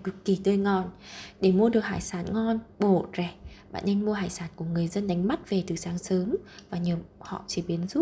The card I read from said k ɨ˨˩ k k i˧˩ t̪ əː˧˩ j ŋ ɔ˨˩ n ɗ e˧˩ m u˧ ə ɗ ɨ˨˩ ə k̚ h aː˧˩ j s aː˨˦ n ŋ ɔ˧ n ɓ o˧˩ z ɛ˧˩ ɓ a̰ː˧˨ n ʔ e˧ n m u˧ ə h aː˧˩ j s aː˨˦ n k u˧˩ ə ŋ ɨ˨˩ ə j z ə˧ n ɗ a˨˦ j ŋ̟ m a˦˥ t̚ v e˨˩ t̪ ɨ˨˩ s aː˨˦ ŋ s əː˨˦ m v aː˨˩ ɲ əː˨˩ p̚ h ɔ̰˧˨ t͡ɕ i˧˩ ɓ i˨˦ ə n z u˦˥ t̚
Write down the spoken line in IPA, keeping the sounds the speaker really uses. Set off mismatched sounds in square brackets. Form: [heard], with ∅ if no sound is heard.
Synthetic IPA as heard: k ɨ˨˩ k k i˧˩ t̪ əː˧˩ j ŋ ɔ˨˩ n ɗ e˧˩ m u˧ ə ɗ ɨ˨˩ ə k̚ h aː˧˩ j s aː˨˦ n ŋ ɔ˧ n ɓ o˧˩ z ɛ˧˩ ɓ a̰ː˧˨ n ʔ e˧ n m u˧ ə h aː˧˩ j s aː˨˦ n k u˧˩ ə ŋ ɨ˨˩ ə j z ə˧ n ɗ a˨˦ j ŋ̟ m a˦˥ t̚ v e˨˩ t̪ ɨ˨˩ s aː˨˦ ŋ s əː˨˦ m v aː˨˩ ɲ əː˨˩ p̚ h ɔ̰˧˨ t͡ɕ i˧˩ ɓ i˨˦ ə n z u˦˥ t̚